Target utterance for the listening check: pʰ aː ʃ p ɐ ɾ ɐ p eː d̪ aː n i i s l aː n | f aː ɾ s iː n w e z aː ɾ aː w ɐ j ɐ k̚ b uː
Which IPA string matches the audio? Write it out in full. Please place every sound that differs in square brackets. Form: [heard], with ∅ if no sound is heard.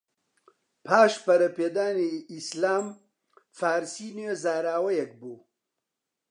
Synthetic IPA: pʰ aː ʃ p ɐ ɾ ɐ p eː d̪ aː n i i s l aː [m] | f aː ɾ s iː n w e z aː ɾ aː w ɐ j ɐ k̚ b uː